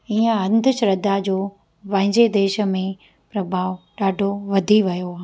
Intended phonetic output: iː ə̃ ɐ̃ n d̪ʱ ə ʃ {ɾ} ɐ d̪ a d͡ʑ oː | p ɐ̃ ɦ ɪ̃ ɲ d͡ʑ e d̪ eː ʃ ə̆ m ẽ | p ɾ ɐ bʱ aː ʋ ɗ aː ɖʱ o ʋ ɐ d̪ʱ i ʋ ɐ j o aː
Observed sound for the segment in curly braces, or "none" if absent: ɾ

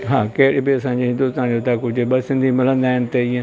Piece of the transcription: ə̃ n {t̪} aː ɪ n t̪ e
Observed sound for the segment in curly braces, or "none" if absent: d̪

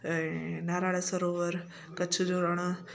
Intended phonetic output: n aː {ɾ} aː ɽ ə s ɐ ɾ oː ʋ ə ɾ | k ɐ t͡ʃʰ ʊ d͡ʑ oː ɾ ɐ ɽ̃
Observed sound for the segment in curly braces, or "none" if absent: ɾ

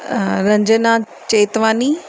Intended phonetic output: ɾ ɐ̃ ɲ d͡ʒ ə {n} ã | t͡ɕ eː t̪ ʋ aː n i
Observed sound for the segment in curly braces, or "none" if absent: n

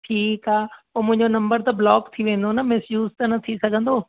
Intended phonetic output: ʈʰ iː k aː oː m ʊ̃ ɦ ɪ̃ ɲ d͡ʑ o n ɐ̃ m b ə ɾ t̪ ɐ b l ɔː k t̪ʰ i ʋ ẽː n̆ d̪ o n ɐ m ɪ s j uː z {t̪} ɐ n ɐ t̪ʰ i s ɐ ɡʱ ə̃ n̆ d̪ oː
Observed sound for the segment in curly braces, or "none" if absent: t̪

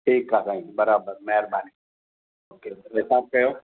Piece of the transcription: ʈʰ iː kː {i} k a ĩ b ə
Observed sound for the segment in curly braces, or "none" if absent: a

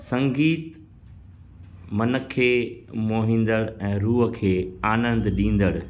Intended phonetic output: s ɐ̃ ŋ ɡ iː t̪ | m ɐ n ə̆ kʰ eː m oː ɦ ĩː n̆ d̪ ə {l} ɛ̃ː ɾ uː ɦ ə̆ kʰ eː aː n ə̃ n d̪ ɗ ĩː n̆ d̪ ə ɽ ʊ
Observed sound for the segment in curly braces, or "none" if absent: ɽ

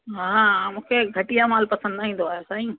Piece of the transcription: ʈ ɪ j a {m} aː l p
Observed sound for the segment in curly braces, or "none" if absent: m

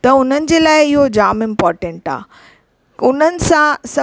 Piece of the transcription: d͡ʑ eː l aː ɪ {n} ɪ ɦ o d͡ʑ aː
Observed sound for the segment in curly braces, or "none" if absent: none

